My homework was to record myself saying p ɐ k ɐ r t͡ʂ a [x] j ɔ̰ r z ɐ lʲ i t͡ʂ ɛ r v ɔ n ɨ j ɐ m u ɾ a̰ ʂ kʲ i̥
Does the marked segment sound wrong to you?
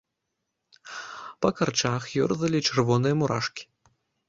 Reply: no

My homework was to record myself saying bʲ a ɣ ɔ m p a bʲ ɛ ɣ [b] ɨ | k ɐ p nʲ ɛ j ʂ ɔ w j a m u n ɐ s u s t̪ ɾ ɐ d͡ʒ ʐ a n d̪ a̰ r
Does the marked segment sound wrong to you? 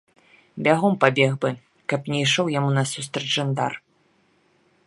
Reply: no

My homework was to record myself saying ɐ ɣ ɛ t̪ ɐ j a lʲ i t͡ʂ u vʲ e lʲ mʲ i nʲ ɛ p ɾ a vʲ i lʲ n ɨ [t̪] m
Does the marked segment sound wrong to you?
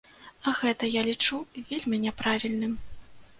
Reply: yes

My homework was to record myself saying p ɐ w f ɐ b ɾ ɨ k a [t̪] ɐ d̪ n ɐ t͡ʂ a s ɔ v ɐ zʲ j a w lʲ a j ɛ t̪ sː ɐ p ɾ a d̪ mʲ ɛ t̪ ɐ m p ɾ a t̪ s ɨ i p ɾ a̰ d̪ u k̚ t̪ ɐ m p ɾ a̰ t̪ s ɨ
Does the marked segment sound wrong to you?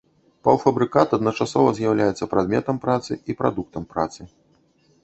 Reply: no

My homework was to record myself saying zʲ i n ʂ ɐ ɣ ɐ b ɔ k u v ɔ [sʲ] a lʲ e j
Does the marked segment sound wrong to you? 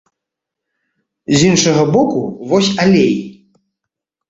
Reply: no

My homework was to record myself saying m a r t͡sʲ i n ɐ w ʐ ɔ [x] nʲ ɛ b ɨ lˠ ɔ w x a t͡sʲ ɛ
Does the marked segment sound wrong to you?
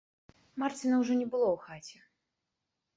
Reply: yes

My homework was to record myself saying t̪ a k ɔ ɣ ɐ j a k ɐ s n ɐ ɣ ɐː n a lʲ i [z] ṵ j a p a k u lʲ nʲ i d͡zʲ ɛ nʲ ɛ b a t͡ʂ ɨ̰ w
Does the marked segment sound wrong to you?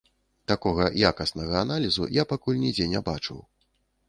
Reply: no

